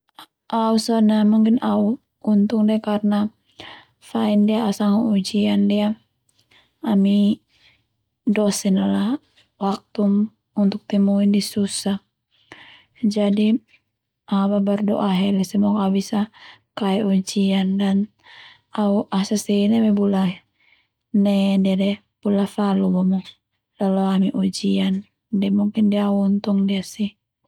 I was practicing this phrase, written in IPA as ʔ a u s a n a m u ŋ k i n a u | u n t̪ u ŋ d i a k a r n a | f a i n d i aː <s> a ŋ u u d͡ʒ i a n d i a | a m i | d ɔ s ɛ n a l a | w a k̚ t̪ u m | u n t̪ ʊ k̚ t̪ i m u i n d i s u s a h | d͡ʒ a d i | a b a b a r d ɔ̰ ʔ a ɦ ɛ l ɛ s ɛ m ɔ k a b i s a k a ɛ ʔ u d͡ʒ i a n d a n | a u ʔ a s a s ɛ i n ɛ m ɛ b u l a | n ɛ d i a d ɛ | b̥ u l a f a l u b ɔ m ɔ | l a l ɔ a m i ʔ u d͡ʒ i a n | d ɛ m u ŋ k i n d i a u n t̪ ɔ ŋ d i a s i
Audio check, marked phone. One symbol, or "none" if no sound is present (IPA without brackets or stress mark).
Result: s